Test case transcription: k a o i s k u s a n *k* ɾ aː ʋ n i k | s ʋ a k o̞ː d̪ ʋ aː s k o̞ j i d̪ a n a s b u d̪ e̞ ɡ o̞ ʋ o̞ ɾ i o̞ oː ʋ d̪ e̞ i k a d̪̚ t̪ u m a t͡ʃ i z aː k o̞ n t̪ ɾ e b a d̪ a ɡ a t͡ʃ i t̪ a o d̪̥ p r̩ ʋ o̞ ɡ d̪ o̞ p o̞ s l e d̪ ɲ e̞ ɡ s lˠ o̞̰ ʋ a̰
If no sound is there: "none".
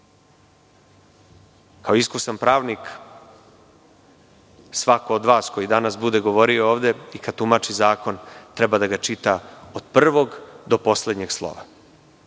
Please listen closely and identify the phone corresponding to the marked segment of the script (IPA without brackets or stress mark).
p